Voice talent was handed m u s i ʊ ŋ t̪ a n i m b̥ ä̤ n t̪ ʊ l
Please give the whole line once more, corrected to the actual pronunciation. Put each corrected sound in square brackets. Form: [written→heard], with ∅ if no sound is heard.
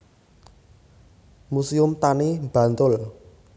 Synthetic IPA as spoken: m u s i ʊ [ŋ→m] t̪ a n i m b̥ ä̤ n t̪ ʊ l